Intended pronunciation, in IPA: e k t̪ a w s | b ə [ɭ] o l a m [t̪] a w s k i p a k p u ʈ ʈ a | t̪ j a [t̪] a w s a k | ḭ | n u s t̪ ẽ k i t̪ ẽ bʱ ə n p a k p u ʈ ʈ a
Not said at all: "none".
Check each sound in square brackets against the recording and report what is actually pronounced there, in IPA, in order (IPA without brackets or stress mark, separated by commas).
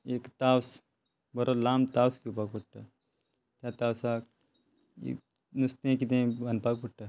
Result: ɾ, t̪, t̪